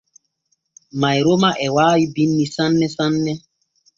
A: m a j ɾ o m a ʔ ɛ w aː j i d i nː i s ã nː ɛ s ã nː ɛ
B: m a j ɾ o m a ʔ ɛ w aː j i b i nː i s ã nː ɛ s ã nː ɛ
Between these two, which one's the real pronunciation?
B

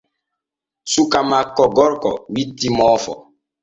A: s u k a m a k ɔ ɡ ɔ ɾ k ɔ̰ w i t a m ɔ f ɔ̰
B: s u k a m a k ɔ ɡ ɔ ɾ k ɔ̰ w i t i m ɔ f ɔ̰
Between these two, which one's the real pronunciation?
B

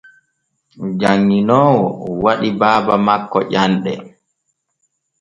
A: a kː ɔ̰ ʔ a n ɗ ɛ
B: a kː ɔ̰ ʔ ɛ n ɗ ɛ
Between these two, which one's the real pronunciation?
A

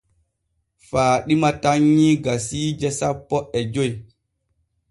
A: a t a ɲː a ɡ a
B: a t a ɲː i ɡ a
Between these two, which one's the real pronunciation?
B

